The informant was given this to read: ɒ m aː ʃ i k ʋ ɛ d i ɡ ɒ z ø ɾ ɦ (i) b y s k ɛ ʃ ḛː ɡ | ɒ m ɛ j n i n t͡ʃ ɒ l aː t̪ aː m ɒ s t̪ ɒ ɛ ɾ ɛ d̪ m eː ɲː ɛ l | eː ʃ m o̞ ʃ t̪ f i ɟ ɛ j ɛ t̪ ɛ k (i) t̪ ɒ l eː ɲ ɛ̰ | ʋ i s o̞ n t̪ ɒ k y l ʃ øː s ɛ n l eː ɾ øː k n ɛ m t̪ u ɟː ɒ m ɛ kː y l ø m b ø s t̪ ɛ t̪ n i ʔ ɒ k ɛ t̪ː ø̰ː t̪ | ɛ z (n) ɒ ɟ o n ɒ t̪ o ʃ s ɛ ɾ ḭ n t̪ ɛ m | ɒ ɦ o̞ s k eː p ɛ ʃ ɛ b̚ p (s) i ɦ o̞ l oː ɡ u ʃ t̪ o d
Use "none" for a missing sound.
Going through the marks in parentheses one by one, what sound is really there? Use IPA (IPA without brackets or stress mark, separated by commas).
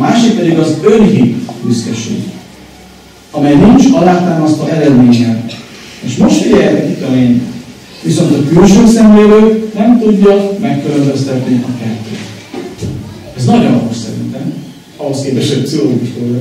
i, i, n, s